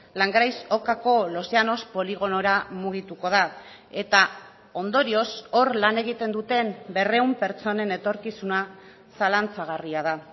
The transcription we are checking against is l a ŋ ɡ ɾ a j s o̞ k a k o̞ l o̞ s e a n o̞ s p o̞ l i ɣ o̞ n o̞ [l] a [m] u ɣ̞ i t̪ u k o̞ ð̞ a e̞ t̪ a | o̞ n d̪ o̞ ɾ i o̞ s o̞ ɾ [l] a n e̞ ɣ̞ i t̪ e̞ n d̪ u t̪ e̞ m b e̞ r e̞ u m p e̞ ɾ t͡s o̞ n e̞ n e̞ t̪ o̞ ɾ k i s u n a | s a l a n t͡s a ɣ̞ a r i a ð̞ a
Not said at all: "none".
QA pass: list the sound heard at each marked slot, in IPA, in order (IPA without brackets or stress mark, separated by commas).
ɾ, m, l